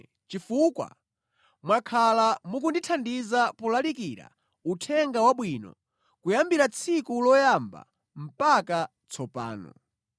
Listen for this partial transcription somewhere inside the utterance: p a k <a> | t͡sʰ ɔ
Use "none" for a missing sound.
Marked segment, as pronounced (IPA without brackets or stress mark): a